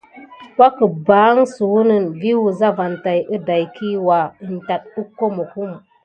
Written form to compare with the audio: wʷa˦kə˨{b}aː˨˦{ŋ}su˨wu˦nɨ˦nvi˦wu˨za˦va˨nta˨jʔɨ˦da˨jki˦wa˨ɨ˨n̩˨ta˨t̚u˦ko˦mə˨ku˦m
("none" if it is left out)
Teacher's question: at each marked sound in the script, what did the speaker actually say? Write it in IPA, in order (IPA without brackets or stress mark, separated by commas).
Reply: b, ŋ